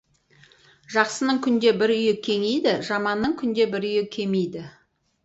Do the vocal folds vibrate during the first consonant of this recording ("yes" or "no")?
yes